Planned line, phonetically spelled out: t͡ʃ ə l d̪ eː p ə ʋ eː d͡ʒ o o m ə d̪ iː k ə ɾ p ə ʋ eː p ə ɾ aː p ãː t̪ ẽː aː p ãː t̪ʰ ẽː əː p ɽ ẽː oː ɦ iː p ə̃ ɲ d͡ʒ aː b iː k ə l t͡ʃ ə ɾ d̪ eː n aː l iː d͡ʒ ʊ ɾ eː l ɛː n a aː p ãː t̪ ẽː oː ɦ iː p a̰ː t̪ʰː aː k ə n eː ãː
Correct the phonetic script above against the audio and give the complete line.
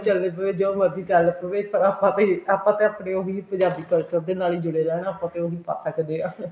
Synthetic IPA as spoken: t͡ʃ ə l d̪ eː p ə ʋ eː d͡ʒ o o m ə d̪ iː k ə l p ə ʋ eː p ə ɾ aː p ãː t̪ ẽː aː p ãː t̪ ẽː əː p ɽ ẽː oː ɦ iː p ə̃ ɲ d͡ʒ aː b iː k ə l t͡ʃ ə ɾ d̪ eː n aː l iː d͡ʒ ʊ ɽ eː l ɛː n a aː p ãː t̪ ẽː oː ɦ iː p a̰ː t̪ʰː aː k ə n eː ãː